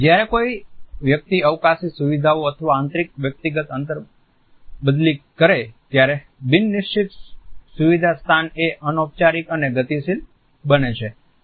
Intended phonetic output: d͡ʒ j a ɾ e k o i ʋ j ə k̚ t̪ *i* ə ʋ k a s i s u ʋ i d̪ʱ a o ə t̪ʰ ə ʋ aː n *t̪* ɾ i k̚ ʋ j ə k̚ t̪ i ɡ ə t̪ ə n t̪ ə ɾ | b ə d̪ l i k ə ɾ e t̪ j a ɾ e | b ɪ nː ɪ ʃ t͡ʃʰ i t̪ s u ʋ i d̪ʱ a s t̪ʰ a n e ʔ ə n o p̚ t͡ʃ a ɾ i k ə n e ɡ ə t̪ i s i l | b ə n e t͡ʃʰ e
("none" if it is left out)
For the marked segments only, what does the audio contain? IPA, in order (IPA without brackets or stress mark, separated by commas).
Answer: i, t̪